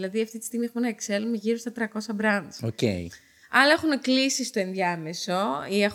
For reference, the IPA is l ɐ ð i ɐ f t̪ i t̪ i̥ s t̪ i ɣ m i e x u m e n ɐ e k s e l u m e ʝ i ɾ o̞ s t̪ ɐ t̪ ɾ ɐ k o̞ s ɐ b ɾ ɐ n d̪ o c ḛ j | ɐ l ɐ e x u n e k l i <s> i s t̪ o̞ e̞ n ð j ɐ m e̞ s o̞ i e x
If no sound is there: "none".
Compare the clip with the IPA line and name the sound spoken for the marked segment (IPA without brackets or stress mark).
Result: s